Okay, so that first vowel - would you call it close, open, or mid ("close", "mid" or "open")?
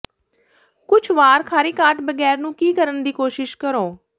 close